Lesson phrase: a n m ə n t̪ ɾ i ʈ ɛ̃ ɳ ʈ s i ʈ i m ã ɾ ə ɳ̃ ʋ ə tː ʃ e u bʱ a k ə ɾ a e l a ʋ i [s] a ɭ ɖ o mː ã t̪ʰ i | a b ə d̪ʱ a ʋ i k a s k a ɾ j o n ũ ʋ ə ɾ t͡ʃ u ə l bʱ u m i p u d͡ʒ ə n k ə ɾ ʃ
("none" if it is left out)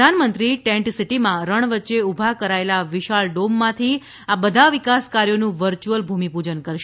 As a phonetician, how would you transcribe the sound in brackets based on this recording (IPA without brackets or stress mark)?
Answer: ʃ